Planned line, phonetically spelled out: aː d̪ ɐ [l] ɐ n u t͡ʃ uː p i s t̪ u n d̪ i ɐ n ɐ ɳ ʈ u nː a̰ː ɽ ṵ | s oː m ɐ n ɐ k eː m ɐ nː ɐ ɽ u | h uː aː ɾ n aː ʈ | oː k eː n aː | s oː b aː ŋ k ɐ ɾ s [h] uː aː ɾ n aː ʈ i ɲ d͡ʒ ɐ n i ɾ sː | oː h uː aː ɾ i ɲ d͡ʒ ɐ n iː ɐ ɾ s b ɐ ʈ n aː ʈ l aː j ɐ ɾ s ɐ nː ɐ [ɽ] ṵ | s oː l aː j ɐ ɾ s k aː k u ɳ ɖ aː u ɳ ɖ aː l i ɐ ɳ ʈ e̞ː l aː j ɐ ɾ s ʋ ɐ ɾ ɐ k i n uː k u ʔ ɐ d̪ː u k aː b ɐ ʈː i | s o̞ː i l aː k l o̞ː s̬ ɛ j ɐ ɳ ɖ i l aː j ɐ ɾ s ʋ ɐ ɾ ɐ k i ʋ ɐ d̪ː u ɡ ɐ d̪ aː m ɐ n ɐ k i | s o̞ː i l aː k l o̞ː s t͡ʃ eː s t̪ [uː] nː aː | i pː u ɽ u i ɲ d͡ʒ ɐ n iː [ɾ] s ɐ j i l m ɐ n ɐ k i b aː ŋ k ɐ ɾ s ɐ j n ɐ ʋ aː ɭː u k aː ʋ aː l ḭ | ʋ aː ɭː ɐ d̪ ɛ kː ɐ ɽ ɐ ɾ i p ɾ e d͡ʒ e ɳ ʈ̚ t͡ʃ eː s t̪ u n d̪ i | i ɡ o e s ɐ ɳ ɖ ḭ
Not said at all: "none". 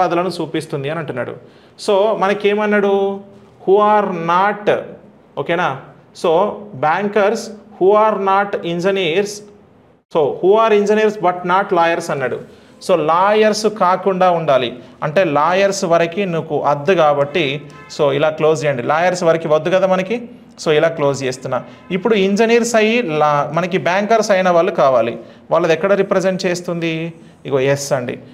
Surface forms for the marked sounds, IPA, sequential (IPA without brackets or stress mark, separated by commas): l, h, ɽ, u, ɾ